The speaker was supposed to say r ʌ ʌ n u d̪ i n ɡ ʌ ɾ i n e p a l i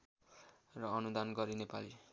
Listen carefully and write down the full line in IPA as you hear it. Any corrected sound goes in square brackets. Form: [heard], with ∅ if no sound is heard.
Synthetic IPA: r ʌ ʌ n u d̪ [a] n ɡ ʌ ɾ i n e p a l i